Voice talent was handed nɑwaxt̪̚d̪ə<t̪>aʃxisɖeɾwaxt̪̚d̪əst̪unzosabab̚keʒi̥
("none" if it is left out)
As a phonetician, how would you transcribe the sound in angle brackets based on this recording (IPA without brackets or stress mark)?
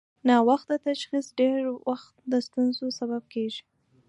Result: t̪